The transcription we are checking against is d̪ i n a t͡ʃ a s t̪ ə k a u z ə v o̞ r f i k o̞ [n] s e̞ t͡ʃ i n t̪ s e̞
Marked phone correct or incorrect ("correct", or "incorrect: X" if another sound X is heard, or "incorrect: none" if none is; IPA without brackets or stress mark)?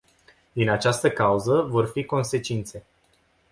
correct